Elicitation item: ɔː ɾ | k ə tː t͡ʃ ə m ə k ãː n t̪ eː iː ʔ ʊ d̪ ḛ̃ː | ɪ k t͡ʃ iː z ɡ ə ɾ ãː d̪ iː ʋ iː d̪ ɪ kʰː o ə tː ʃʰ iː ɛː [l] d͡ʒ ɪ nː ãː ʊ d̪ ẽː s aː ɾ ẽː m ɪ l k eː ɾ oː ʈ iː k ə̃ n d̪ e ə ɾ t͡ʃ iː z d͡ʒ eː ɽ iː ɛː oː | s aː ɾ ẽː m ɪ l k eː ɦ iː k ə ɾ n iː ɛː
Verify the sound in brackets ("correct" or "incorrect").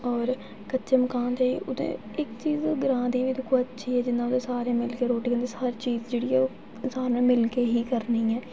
incorrect